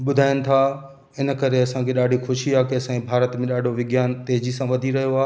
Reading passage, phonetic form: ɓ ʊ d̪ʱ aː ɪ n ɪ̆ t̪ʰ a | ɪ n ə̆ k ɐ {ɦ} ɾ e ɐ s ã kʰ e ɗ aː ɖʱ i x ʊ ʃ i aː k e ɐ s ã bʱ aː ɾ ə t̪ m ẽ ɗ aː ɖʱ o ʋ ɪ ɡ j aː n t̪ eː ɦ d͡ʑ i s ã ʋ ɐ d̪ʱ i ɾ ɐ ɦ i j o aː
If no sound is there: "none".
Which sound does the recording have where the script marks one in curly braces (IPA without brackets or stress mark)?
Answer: none